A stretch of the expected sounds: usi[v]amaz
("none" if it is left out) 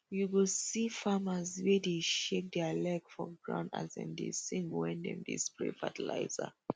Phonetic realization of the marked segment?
f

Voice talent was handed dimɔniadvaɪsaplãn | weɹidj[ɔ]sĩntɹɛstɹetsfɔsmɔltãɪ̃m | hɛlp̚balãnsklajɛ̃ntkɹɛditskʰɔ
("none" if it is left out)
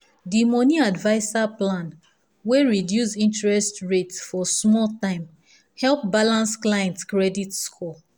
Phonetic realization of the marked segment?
u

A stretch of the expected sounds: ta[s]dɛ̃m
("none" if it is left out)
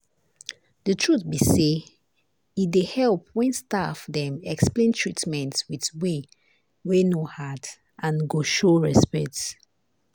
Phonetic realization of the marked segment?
f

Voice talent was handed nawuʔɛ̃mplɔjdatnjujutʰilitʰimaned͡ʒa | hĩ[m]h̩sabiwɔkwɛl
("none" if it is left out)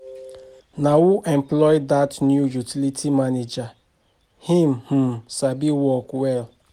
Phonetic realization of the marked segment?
m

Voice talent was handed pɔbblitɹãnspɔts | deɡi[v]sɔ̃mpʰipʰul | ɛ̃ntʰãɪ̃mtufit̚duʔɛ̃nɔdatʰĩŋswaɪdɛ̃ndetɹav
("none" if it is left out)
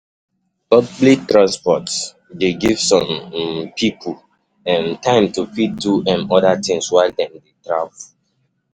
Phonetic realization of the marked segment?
v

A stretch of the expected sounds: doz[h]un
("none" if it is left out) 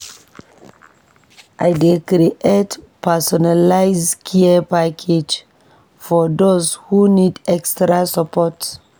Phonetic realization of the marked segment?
h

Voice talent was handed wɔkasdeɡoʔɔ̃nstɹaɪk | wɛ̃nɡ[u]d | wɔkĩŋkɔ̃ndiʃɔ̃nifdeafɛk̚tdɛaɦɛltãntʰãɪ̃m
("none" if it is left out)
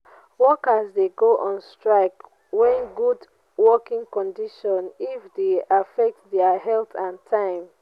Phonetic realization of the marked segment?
u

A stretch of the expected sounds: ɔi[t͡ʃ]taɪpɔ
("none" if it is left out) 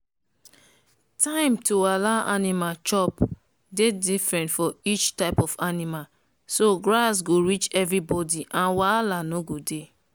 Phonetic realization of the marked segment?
t͡ʃ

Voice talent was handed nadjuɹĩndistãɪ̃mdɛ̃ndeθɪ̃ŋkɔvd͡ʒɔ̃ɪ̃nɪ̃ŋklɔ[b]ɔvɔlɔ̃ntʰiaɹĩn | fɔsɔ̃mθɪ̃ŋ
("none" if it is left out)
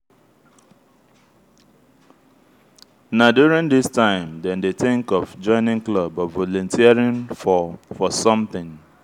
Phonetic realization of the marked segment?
b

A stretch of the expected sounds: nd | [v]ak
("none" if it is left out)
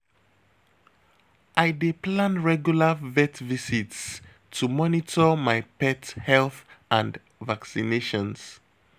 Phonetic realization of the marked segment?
v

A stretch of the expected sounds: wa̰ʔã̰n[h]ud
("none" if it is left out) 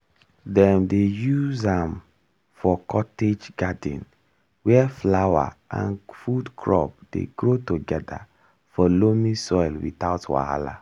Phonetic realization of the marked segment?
f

